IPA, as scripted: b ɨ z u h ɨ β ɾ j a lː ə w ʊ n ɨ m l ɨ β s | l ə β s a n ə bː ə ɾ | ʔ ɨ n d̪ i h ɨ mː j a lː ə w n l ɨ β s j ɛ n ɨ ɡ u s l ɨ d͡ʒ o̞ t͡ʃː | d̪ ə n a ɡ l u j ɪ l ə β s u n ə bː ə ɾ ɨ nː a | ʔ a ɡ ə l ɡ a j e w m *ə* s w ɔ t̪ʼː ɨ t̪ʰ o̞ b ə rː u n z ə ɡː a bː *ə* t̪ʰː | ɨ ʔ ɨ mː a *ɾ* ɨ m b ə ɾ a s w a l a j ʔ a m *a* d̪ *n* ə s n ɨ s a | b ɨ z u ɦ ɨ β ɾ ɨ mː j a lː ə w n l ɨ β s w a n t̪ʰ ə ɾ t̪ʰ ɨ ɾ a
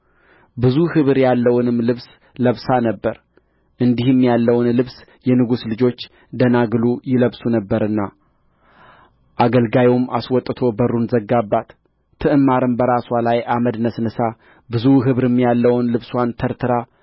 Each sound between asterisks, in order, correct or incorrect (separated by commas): incorrect, incorrect, correct, incorrect, correct